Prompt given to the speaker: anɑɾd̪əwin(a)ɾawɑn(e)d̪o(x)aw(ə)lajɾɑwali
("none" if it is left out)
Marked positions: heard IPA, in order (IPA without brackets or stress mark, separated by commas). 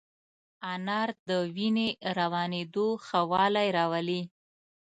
e, e, x, ɑ